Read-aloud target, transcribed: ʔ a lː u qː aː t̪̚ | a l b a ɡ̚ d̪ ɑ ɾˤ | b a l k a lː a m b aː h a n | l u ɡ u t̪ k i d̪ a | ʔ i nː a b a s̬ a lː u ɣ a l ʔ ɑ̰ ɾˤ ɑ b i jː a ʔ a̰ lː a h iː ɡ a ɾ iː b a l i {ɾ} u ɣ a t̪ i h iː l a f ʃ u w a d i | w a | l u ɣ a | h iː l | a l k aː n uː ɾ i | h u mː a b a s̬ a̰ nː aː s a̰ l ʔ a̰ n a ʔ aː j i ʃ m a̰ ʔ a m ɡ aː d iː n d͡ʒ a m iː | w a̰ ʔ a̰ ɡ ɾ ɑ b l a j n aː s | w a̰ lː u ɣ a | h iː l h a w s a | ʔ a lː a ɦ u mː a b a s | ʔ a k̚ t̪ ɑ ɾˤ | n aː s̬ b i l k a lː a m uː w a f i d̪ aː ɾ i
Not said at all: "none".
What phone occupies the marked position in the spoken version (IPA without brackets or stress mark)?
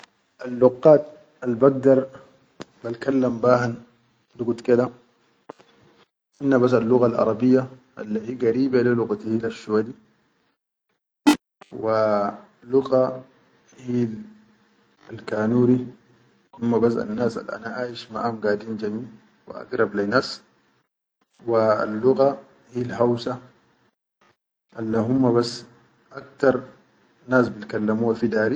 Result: l